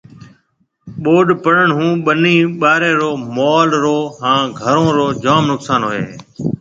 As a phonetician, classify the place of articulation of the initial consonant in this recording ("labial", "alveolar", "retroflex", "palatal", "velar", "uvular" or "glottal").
labial